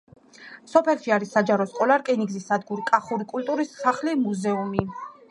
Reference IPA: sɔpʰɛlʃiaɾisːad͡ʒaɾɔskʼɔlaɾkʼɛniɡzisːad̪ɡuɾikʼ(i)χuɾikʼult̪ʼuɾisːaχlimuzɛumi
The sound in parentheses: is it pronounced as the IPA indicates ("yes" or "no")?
no